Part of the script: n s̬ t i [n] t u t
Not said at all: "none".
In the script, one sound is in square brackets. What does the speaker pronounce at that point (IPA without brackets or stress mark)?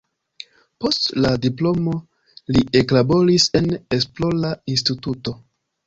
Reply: none